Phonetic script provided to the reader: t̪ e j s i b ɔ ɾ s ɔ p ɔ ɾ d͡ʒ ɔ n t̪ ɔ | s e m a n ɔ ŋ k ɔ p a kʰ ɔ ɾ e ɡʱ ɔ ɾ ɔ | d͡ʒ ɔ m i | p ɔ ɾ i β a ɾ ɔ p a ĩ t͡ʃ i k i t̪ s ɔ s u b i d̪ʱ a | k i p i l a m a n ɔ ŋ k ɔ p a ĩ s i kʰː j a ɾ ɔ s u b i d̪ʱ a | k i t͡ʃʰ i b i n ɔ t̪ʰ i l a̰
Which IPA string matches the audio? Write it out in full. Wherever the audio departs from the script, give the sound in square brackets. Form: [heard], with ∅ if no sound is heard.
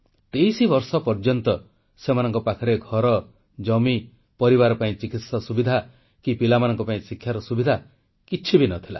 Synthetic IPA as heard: t̪ e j s i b ɔ ɾ s ɔ p ɔ ɾ d͡ʒ ɔ n t̪ ɔ | s e m a n ɔ ŋ k ɔ p a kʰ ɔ ɾ e ɡʱ ɔ ɾ ɔ | d͡ʒ ɔ m i | p ɔ ɾ i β a ɾ ɔ p a ĩ t͡ʃ i k i t̪ s ɔ s u b i d̪ʱ a | k i p i l a m a n ɔ ŋ k ɔ p a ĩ s i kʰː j a ɾ ɔ s u b i d̪ʱ a | k i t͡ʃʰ i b i n ɔ t̪ʰ i l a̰